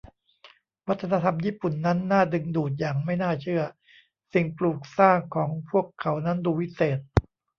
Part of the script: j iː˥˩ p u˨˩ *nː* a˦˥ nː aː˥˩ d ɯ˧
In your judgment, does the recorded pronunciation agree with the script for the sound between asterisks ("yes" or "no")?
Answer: yes